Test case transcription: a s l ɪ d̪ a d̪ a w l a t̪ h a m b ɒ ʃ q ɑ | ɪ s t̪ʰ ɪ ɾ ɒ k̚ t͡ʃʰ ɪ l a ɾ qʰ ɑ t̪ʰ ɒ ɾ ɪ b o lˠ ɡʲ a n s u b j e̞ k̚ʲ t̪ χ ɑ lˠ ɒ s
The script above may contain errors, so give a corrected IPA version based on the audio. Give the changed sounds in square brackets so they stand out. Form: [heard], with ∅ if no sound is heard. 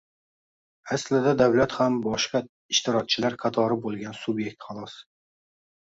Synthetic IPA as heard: a s l ɪ d̪ a d̪ a w l a t̪ h a m b ɒ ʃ q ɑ | ɪ [ʃ] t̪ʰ ɪ ɾ ɒ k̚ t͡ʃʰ ɪ l a ɾ qʰ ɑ t̪ʰ ɒ ɾ ɪ b o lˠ ɡʲ a n s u b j e̞ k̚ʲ t̪ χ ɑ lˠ ɒ s